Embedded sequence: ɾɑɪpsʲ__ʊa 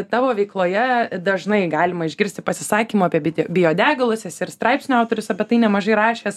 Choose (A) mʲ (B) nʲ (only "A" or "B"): B